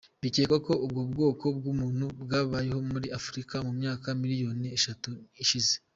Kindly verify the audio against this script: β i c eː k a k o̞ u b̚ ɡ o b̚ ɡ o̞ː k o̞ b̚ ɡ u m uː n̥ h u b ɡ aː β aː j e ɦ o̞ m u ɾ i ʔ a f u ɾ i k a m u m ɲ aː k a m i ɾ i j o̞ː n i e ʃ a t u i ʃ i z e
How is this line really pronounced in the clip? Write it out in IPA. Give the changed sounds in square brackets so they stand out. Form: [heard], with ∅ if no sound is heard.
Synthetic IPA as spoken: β i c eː k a k o̞ u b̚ ɡ o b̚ ɡ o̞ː k o̞ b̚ ɡ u m uː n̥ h u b ɡ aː β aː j e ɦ o̞ m u ɾ i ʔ a f u ɾ i k a m u m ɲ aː k a m i ɾ i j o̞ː n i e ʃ a t u i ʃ i z e